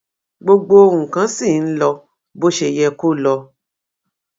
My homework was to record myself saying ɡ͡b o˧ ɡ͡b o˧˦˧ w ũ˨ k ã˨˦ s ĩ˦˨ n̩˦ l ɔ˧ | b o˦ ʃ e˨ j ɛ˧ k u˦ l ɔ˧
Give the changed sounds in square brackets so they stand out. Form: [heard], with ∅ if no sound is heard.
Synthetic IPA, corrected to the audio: ɡ͡b o˧ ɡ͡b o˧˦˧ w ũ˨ k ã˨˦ s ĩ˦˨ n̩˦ l ɔ˧ | b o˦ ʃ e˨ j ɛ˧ k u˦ l ɔ˧